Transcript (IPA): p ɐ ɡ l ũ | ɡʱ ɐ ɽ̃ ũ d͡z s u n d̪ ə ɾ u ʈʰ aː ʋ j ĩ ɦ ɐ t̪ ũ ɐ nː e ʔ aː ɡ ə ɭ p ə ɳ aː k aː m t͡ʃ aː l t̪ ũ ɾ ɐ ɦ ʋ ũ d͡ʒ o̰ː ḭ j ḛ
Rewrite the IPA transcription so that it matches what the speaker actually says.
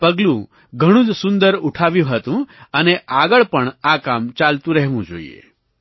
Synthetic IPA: p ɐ ɡ l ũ | ɡʱ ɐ ɽ̃ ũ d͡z s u n d̪ ə ɾ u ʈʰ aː ʋ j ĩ ɦ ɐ t̪ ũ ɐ n e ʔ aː ɡ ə ɭ p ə ɳ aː k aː m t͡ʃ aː l t̪ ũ ɾ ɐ ɦ ʋ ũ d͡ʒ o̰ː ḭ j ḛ